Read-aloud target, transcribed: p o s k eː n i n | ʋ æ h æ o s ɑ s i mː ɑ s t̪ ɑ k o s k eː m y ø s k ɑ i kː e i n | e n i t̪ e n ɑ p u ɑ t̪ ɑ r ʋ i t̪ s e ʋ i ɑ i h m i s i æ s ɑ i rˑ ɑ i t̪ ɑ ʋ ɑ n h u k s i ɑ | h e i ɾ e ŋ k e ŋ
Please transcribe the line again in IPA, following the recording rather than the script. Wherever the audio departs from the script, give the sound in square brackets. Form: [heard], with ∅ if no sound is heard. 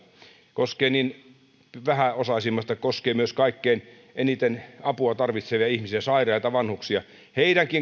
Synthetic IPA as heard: [k] o s k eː n i n | ʋ æ h æ o s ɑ s i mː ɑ s t̪ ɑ k o s k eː m y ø s k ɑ i kː e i n | e n i t̪ e n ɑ p u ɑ t̪ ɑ r ʋ i t̪ s e ʋ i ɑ i h m i s i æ s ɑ i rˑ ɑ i t̪ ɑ ʋ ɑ n h u k s i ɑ | h e i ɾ [æ] ŋ k [i] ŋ